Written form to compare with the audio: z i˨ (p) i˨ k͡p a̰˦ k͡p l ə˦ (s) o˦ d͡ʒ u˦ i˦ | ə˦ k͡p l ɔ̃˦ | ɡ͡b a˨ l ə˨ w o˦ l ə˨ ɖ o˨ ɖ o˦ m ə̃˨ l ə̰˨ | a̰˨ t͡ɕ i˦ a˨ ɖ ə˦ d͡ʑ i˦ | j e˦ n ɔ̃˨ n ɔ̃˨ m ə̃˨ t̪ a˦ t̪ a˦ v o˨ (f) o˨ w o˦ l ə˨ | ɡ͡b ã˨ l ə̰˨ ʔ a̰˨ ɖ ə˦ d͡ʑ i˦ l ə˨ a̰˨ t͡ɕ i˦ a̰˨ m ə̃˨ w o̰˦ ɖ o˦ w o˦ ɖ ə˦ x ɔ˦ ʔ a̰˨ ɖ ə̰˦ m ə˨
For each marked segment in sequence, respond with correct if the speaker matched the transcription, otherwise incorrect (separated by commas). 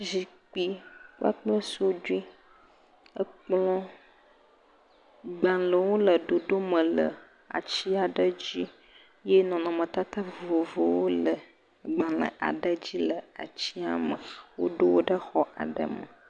incorrect, correct, incorrect